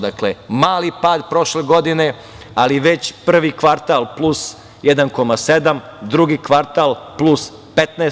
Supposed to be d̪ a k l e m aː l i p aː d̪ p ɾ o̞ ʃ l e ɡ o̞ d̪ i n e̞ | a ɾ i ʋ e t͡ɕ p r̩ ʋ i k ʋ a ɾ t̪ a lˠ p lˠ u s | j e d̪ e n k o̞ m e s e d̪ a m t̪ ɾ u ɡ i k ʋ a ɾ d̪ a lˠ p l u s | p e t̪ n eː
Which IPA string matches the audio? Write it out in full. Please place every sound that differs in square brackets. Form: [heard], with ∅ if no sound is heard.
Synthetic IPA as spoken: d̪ a k l e m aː l i p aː d̪ p ɾ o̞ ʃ l e ɡ o̞ d̪ i n e̞ | a [l] i ʋ e t͡ɕ p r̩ ʋ i k ʋ a ɾ t̪ a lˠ p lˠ u s | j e d̪ [a] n k o̞ m [a] s e d̪ a m [d̪] ɾ u ɡ i k ʋ a ɾ [t̪] a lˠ p l u s | p e t̪ n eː